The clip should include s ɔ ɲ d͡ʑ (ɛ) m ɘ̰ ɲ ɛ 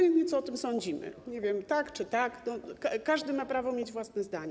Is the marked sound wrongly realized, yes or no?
yes